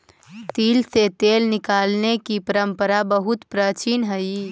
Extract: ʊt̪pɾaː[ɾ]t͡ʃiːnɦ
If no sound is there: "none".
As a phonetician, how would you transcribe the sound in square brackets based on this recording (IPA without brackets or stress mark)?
none